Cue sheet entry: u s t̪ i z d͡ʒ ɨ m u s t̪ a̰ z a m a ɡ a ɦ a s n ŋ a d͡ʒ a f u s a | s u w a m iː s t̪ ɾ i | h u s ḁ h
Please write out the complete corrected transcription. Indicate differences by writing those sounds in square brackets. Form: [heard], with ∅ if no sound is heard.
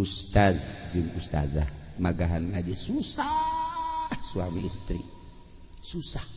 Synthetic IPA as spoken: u s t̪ [a] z d͡ʒ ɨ [ŋ] u s t̪ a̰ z a m a ɡ a ɦ a [∅] n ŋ a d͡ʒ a [s] u s a | s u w a m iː s t̪ ɾ i | [s] u s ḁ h